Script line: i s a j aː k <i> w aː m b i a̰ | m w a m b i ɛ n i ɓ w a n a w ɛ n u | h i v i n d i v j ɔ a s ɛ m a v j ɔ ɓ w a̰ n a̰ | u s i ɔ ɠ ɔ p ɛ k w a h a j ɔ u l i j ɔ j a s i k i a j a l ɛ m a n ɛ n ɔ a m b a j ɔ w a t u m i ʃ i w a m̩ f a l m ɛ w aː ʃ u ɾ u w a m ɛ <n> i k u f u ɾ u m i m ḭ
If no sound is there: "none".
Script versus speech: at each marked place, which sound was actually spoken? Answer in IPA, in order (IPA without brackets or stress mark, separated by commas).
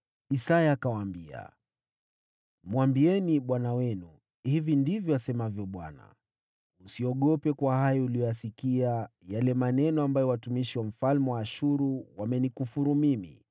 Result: a, n